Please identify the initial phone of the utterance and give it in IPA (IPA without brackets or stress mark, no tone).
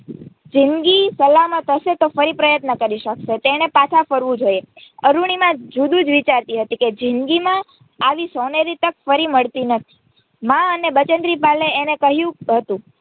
d͡ʒ